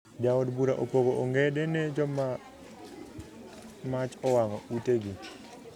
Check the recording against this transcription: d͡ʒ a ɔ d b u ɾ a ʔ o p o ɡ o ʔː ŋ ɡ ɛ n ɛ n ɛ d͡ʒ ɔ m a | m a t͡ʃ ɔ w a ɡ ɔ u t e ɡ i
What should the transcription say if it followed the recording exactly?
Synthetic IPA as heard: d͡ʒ a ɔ d b u ɾ a ʔ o p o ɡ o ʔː ŋ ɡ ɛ d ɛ n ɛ d͡ʒ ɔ m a | m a t͡ʃ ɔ w a ŋ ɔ u t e ɡ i